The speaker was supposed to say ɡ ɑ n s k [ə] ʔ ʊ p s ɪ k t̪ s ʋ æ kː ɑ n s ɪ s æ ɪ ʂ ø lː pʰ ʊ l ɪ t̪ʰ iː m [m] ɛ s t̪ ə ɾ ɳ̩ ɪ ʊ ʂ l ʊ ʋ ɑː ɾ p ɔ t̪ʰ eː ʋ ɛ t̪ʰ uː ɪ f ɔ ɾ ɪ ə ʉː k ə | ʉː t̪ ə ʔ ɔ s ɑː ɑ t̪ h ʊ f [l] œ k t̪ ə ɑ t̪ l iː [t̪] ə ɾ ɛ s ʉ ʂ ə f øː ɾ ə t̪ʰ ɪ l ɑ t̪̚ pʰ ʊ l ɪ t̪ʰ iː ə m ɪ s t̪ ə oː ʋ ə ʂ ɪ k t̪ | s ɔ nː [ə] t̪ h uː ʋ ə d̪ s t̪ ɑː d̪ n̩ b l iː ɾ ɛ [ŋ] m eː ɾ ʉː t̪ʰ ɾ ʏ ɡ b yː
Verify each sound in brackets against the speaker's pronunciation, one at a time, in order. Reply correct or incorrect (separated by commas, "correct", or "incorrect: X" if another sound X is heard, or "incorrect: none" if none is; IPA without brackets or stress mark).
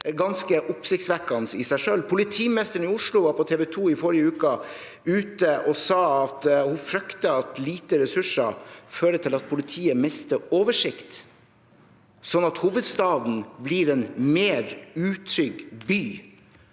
correct, incorrect: n, incorrect: ɾ, correct, incorrect: ɑ, incorrect: n